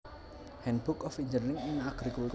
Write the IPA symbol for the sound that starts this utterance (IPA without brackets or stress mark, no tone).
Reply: h